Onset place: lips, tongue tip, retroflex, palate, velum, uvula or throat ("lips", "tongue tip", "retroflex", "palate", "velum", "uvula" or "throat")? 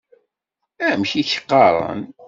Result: lips